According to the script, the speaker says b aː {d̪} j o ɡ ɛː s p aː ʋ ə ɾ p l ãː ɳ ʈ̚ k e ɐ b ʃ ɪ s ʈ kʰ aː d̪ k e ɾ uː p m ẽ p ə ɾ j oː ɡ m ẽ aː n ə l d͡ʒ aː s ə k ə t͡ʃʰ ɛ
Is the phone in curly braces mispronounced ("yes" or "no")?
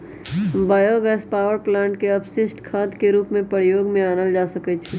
yes